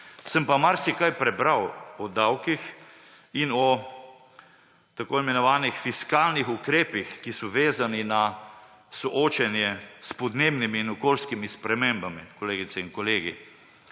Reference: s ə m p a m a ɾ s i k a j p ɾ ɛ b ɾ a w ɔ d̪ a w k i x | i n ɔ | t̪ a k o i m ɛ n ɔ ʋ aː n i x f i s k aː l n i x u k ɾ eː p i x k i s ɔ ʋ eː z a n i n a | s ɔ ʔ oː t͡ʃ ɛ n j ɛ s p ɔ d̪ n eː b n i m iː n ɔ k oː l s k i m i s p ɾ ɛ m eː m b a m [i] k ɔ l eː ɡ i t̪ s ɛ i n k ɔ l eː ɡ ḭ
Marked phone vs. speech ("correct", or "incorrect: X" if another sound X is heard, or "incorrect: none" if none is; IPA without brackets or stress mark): correct